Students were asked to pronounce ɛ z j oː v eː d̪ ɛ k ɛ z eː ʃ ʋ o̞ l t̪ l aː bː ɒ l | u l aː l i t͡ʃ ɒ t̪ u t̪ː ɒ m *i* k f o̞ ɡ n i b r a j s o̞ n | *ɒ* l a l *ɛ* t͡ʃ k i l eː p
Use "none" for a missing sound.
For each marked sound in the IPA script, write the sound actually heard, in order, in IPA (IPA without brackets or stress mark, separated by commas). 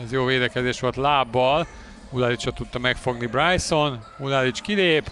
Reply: ɛ, u, i